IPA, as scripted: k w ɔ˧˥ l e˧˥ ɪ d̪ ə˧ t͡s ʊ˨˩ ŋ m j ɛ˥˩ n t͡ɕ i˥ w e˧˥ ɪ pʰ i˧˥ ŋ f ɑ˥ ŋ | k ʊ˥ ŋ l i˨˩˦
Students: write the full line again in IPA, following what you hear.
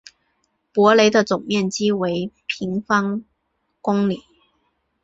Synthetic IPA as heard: p w ɔ˧˥ l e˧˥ ɪ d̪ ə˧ t͡s ʊ˨˩ ŋ m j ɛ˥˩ n t͡ɕ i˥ w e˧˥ ɪ pʰ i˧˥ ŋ f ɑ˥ ŋ | k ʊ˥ ŋ l i˨˩˦